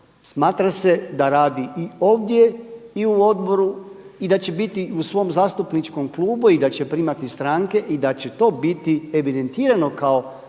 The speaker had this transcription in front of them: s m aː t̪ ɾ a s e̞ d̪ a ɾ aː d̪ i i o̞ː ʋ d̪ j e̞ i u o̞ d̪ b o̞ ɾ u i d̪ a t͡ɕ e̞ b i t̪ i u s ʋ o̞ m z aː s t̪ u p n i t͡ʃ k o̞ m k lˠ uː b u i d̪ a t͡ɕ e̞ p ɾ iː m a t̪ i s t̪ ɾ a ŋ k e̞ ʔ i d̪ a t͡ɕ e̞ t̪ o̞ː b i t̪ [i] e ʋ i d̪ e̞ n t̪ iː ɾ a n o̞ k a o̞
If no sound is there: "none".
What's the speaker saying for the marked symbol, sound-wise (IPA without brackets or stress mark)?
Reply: i